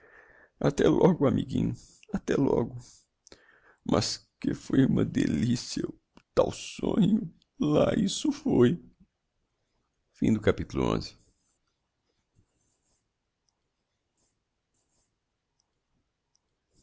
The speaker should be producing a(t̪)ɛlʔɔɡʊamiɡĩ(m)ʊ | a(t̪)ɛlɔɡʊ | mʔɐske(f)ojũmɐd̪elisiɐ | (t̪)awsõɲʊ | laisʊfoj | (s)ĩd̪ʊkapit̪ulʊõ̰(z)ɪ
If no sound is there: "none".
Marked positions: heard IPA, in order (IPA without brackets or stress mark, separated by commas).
t̪, ɲ, t̪, f, t̪, f, z